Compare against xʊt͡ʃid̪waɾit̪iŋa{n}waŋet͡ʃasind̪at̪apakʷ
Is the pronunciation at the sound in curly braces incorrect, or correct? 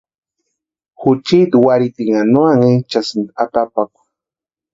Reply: correct